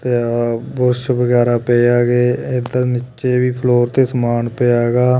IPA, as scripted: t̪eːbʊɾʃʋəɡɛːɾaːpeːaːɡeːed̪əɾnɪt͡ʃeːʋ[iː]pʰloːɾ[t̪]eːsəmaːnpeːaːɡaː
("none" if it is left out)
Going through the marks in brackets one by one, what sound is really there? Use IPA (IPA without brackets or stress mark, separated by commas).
iː, t̪